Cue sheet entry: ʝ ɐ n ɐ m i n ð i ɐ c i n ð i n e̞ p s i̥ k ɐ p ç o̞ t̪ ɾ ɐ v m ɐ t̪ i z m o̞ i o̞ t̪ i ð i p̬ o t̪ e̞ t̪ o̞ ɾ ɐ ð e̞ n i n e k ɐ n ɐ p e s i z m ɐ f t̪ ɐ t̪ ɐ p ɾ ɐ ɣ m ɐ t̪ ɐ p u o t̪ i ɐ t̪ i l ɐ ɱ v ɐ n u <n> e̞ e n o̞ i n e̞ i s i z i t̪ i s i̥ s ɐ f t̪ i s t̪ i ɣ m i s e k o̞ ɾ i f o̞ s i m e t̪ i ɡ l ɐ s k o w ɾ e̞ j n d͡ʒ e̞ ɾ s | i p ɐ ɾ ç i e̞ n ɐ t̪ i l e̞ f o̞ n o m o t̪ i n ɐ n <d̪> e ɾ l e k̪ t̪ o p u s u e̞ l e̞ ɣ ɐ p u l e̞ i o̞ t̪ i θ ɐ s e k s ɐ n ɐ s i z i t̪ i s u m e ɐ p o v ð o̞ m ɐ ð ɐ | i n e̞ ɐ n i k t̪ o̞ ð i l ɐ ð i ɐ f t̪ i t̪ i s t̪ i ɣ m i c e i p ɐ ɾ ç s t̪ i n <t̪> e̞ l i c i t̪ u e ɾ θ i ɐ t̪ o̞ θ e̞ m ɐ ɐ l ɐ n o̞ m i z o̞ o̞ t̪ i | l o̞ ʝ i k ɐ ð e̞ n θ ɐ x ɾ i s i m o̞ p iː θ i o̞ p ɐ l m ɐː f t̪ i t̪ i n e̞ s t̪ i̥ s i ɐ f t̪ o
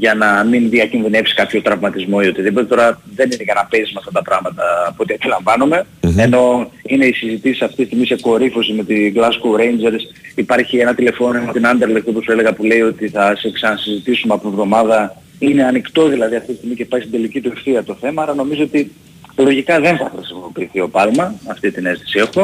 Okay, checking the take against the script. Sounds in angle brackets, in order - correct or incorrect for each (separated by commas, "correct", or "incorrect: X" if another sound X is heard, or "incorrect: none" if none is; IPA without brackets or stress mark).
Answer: incorrect: m, correct, incorrect: d̪